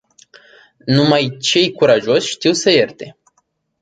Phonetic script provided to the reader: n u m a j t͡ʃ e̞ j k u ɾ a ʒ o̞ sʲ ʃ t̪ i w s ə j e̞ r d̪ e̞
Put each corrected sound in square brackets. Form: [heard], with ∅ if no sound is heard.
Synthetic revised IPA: n u m a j t͡ʃ e̞ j k u ɾ a ʒ o̞ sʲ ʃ t̪ i w s ə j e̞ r [t̪] e̞

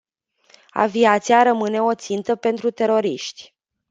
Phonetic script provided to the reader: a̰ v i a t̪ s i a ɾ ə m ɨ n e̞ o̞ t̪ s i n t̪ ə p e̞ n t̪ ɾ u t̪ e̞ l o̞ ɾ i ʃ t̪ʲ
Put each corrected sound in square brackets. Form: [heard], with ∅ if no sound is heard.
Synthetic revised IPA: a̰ v i a t̪ s i a ɾ ə m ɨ n e̞ o̞ t̪ s i n t̪ ə p e̞ n t̪ ɾ u t̪ e̞ [ɾ] o̞ ɾ i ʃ t̪ʲ

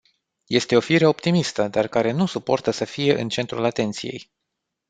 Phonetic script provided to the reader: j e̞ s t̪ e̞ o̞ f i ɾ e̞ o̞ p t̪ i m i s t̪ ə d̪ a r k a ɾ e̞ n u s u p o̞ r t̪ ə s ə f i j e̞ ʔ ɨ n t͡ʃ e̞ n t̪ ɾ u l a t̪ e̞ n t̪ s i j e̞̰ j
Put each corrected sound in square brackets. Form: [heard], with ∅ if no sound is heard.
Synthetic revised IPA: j e̞ s t̪ e̞ o̞ f i ɾ e̞ o̞ p t̪ i m i s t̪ ə d̪ a r k a ɾ e̞ n u s u p o̞ r t̪ ə s ə f i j e̞ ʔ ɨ n t͡ʃ e̞ n t̪ ɾ u l a t̪ e̞ n t̪ s i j e̞̰ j

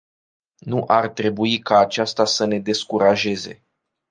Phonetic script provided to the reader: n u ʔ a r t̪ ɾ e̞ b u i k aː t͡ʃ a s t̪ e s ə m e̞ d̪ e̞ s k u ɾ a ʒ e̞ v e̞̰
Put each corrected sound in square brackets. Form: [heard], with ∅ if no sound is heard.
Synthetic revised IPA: n u ʔ a r t̪ ɾ e̞ b u i k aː t͡ʃ a s t̪ [a] s ə [n] e̞ d̪ e̞ s k u ɾ a ʒ e̞ [z] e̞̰

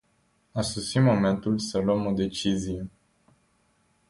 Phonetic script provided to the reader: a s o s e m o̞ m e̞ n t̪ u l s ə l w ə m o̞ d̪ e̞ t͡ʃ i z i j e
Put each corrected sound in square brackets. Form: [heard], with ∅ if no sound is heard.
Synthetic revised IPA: a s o s [i] m o̞ m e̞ n t̪ u l s ə l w ə m o̞ d̪ e̞ t͡ʃ i z i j e

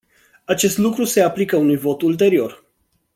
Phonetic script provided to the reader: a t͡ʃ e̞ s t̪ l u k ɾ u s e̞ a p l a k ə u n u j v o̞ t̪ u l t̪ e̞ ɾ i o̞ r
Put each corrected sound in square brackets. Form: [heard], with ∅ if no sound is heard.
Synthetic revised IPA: a t͡ʃ e̞ s t̪ l u k ɾ u s e̞ a p l [i] k ə u n u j v o̞ t̪ u l t̪ e̞ ɾ i o̞ r

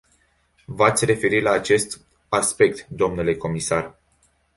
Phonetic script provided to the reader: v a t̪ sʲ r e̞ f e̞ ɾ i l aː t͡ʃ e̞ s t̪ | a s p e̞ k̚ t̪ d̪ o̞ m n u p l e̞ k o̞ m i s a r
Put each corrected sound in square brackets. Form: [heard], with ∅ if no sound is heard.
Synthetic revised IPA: v a t̪ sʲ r e̞ f e̞ ɾ i l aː t͡ʃ e̞ s t̪ | a s p e̞ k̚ t̪ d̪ o̞ m n u [∅] l e̞ k o̞ m i s a r

